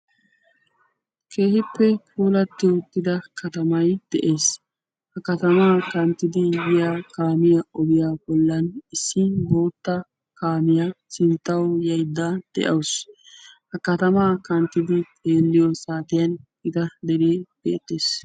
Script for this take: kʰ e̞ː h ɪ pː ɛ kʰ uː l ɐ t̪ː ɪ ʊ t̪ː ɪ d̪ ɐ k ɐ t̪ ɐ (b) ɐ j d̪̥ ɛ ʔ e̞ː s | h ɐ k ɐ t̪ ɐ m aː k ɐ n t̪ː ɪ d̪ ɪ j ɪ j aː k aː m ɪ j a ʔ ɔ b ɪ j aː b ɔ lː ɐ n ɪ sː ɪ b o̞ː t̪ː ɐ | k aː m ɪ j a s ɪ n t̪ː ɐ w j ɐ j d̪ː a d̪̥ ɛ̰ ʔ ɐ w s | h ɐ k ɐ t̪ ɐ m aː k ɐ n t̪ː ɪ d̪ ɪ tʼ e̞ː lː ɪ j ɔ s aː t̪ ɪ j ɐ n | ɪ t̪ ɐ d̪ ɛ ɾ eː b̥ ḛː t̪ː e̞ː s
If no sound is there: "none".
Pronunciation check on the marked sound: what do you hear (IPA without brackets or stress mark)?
m